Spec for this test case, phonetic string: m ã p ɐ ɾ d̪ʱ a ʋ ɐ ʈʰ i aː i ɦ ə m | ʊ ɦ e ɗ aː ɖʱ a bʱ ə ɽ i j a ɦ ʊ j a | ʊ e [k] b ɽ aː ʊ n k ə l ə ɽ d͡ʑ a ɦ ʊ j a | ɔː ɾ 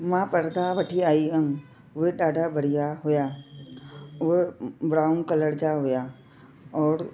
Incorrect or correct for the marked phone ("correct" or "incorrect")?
incorrect